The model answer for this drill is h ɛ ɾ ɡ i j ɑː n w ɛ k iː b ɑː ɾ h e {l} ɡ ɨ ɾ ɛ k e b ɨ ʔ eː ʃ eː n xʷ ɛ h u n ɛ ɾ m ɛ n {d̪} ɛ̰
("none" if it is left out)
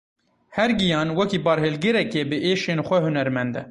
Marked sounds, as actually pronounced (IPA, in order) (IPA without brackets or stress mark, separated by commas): l, d̪